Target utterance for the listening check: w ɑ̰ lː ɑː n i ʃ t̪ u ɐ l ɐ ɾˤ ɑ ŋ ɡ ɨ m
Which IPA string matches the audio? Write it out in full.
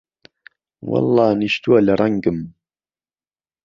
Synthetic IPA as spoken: w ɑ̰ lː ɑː n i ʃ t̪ u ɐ l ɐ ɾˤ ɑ ŋ ɡ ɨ m